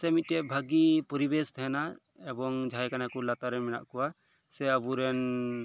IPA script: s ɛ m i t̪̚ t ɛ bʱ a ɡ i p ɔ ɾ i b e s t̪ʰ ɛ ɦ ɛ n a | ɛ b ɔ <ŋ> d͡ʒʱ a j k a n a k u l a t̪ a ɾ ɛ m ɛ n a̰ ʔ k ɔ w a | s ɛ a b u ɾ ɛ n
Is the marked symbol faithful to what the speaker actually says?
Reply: yes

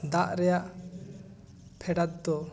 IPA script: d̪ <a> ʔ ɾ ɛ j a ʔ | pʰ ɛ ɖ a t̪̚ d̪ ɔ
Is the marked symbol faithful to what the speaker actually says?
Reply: yes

